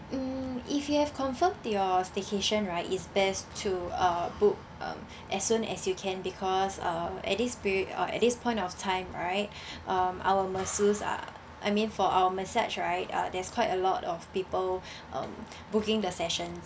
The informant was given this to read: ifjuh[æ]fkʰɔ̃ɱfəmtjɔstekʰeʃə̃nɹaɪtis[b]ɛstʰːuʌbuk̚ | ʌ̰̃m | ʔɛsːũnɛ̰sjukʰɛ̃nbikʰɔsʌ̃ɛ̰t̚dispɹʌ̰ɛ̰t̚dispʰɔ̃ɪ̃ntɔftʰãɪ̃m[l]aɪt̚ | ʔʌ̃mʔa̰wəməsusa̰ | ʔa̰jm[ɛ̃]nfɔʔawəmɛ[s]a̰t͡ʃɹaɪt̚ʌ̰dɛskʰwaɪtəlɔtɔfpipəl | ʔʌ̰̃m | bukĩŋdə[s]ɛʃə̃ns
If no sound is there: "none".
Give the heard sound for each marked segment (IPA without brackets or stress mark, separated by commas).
ɛ, b, ɹ, ĩ, s, s